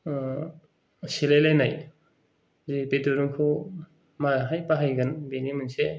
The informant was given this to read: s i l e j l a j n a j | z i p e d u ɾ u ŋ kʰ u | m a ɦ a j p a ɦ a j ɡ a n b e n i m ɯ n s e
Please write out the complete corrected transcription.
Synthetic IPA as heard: s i l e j l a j n a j | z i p e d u ɾ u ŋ kʰ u | m a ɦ a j p a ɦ a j ɡ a n b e n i m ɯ n s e